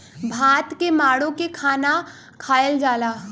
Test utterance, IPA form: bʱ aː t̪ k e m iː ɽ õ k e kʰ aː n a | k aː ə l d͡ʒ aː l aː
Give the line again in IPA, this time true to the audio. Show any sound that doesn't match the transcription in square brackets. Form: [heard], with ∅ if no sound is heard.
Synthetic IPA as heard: bʱ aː t̪ k e m [aː] ɽ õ k e kʰ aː n a | [kʰ] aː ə l d͡ʒ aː l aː

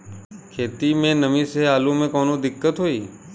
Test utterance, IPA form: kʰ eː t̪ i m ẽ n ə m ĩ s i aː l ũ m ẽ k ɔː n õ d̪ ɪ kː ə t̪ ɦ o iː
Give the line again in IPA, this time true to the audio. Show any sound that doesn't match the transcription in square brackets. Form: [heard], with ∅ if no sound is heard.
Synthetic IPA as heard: kʰ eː t̪ i m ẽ n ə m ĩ s [e] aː l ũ m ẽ k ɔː n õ d̪ ɪ kː ə t̪ ɦ o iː

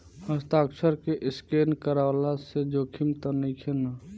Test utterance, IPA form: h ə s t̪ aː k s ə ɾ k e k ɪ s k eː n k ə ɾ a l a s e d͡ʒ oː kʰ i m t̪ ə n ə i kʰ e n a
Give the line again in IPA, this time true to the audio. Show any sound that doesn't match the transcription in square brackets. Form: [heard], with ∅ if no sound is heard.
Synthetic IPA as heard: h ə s t̪ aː k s ə ɾ k e [ʔ] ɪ s k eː n k ə ɾ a l a s e d͡ʒ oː kʰ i m t̪ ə n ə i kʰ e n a

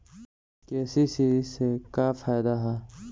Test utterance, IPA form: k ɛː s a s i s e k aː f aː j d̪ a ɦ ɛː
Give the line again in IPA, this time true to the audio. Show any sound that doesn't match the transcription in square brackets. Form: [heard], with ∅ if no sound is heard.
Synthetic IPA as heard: k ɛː s [i] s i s e k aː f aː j d̪ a ɦ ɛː

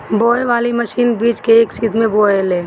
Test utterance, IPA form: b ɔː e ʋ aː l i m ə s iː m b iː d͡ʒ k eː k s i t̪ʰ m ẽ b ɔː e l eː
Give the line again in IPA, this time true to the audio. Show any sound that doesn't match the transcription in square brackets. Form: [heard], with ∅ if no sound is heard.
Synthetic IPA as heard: b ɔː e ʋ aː l i m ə [ʃ] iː [n] b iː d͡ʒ k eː k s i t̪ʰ m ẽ b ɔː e l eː

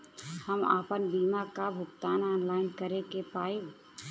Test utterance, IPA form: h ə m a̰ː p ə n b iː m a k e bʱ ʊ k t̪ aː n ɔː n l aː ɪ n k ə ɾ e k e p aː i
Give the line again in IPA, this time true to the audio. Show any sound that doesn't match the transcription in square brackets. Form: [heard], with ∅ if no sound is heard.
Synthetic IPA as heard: h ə m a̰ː p ə n b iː m a k [a] bʱ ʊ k t̪ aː n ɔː n l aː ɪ n k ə ɾ e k e p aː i

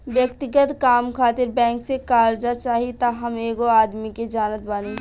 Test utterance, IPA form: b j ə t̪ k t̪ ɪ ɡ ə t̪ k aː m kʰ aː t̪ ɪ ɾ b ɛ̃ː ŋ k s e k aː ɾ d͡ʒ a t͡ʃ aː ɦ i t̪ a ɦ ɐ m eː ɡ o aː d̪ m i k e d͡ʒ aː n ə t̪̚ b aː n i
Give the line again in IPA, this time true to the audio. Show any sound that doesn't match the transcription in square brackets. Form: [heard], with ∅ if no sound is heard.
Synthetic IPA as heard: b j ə [∅] k t̪ ɪ ɡ ə t̪ k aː m kʰ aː t̪ ɪ ɾ b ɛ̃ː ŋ k s e k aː ɾ d͡ʒ a t͡ʃ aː ɦ i t̪ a ɦ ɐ m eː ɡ o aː d̪ m i k e d͡ʒ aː n ə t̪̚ b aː n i

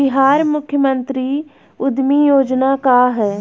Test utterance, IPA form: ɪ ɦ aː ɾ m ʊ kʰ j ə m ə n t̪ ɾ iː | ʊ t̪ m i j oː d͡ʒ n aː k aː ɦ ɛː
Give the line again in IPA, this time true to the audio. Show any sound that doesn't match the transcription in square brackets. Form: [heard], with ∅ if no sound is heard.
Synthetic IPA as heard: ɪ ɦ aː ɾ m ʊ kʰ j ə m ə n t̪ ɾ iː | ʊ [d̪] m i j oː d͡ʒ n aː k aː ɦ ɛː

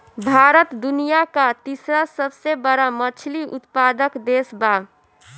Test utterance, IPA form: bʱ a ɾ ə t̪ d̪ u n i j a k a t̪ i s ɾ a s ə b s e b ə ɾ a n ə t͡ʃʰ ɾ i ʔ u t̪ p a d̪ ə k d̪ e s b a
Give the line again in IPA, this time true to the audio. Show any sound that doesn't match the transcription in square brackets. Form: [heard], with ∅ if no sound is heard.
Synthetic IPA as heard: bʱ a ɾ ə t̪ d̪ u n i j a k a t̪ i s ɾ a s ə b s e b ə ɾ a [m] ə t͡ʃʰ [l] i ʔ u t̪ p a d̪ ə k d̪ e s b a

